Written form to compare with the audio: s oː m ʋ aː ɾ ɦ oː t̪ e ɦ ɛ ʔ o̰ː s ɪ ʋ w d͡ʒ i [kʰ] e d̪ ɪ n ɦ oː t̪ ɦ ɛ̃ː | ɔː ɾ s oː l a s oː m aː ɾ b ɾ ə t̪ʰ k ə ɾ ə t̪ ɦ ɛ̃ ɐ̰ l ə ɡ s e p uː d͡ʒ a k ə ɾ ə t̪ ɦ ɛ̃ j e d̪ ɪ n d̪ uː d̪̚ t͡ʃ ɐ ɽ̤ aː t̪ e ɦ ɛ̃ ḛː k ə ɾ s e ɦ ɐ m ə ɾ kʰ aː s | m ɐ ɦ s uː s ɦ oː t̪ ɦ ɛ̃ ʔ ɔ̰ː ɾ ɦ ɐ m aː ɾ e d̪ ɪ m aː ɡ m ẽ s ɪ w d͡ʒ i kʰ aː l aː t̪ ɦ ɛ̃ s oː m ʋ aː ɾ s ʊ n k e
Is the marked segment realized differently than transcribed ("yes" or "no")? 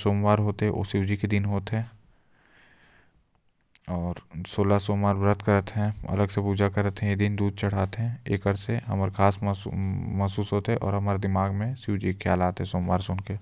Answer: yes